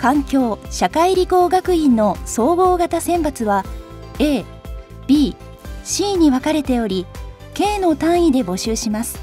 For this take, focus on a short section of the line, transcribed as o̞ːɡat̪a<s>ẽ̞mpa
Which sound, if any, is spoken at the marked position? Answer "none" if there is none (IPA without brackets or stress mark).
s